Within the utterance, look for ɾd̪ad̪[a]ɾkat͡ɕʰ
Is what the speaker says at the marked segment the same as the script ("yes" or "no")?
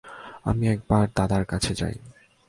yes